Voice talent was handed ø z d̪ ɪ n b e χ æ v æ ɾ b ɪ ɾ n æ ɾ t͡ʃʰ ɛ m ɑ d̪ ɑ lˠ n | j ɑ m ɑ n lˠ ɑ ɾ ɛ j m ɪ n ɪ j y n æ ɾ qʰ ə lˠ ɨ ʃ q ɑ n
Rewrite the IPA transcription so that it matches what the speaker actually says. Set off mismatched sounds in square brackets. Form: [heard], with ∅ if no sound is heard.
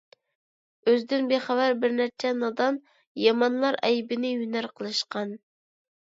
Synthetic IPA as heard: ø z d̪ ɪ n b e χ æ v æ ɾ b ɪ ɾ n æ ɾ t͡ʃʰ ɛ [n] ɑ d̪ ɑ [∅] n | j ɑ m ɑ n lˠ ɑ ɾ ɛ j [b] ɪ n ɪ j y n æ ɾ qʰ ə lˠ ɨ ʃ q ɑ n